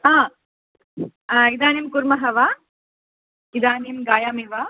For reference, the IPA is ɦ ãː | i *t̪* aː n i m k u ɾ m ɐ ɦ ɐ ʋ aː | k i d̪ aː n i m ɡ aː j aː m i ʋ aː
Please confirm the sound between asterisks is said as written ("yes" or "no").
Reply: no